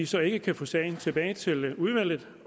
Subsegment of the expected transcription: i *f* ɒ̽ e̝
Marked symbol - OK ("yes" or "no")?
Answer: no